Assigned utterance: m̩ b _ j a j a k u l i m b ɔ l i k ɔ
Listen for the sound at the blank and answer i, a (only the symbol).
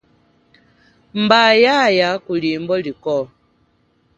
a